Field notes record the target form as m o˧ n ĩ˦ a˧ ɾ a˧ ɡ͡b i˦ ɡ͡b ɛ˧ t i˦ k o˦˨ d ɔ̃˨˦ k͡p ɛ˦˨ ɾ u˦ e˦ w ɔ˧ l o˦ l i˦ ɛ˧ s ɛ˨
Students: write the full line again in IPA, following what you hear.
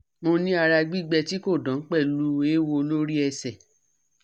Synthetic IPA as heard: m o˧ n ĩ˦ a˧ ɾ a˧ ɡ͡b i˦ ɡ͡b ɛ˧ t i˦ k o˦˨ d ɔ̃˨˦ k͡p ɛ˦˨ l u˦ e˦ w o˧ l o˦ ɾ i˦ ɛ˧ s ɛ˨